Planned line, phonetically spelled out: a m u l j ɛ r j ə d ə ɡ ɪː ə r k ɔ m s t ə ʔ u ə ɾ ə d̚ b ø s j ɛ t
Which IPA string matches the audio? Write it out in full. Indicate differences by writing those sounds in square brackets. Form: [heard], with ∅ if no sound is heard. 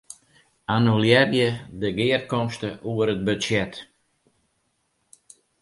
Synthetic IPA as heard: a [n] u l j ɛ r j ə d ə ɡ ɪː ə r k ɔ m s t ə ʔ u ə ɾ ə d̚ b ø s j ɛ t